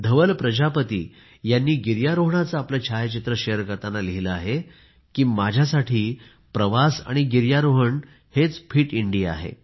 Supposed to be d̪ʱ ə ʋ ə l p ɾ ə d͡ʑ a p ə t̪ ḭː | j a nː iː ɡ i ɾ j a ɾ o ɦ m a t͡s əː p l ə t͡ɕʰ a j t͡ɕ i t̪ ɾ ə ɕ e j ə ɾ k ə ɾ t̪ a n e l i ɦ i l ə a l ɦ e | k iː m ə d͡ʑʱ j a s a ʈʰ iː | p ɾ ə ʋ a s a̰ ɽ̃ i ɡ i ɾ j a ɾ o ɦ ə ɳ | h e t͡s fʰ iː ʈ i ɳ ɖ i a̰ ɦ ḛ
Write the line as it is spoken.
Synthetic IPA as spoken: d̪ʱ ə ʋ ə l p ɾ ə d͡ʑ a p ə t̪ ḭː | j a nː iː ɡ i ɾ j a ɾ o ɦ ɳ a t͡s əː p l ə t͡ɕʰ a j t͡ɕ i t̪ ɾ ə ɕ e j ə ɾ k ə ɾ t̪ a n a l i ɦ i l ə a ɦ e | k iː m a d͡ʑʱ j a s a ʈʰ iː | p ɾ ə ʋ a s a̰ ɽ̃ i ɡ i ɾ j a ɾ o ɦ ə ɳ | h e t͡s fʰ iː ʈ i ɳ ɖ i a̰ ɦ ḛ